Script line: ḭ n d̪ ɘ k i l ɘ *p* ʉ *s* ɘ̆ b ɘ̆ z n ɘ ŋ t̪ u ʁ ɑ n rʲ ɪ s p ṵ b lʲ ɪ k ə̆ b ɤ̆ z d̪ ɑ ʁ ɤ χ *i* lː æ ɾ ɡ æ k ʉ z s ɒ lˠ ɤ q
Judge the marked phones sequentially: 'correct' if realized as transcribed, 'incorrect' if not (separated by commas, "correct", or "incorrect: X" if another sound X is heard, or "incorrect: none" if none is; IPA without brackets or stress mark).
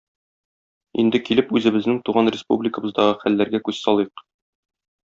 correct, incorrect: z, incorrect: æ